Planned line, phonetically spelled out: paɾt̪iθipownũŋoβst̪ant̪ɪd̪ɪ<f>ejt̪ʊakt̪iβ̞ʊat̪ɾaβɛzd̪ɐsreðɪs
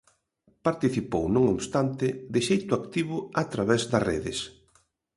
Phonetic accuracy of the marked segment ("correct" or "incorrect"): incorrect